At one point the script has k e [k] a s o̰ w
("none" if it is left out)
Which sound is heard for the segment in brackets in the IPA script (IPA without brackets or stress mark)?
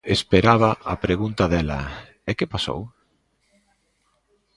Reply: p